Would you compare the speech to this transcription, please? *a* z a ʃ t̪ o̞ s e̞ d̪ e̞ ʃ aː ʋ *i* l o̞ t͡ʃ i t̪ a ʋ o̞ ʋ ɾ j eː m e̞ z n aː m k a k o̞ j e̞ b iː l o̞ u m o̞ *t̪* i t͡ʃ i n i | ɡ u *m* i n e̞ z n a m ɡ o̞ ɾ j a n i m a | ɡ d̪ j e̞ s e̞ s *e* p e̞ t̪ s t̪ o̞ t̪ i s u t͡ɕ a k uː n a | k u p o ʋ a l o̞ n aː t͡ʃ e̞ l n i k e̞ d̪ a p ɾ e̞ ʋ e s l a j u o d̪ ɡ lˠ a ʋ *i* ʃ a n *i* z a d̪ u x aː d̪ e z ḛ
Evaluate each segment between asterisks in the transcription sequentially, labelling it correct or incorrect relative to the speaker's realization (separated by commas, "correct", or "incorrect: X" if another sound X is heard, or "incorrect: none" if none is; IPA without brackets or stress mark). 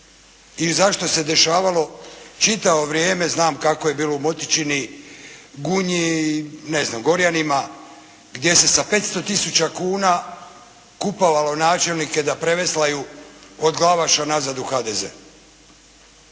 incorrect: i, incorrect: a, correct, incorrect: ɲ, incorrect: a, incorrect: a, incorrect: a